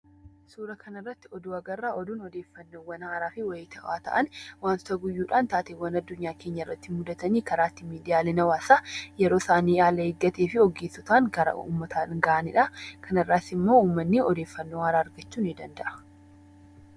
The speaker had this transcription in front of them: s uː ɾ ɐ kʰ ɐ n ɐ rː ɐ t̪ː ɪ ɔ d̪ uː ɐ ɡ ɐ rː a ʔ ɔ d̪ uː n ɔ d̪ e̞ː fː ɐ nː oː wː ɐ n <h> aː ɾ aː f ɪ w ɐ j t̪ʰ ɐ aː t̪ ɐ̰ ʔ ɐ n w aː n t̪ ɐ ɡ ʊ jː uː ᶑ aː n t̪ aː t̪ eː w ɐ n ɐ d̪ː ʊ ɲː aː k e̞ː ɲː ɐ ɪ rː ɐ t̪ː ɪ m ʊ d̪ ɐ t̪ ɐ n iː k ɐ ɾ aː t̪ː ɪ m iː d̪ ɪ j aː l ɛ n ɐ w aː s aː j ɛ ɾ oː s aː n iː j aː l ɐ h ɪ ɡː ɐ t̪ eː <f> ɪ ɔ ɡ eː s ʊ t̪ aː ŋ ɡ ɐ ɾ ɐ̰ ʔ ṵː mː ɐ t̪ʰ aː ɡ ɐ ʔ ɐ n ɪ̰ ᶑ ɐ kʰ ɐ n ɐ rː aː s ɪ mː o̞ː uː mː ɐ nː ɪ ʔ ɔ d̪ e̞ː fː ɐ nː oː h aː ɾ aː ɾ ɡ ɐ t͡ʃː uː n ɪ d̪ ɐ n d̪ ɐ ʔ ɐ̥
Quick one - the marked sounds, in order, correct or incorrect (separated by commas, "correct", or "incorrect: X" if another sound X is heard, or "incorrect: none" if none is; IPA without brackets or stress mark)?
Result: correct, correct